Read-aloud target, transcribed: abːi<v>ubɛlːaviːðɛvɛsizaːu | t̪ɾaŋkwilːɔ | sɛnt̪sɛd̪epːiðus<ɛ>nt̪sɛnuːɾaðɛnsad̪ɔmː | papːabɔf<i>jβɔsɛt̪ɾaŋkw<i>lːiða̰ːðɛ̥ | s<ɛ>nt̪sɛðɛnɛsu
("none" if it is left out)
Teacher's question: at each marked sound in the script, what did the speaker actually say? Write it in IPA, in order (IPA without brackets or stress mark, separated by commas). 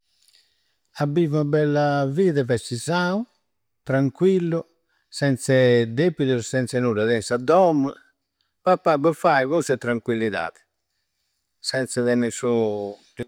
v, ɛ, a, i, ɛ